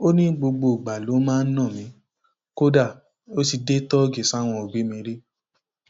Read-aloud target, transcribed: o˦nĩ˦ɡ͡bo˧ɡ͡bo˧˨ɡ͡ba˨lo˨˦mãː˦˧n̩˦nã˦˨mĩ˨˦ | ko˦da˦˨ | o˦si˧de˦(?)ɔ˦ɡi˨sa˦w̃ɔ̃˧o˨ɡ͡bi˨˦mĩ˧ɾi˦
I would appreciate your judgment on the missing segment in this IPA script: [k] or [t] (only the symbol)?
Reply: t